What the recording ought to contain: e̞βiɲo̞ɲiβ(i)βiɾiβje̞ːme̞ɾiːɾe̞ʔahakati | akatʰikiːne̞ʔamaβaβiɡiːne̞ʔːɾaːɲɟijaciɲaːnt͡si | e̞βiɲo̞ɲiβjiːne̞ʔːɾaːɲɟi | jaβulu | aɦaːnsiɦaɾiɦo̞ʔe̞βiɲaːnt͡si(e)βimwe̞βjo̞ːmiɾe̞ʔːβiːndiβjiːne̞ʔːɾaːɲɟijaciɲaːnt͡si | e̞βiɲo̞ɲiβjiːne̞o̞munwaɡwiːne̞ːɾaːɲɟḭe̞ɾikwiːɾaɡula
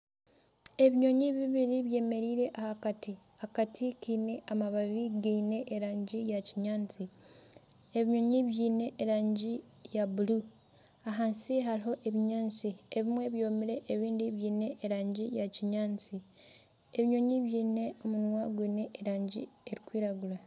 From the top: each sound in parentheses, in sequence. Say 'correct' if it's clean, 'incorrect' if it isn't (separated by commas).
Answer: correct, correct